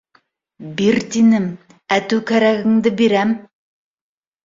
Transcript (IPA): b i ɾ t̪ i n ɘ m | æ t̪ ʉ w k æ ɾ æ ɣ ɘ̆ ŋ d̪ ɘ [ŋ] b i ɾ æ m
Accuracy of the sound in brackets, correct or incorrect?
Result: incorrect